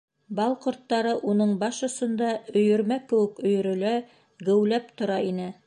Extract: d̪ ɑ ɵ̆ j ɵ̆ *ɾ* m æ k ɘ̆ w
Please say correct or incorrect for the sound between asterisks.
correct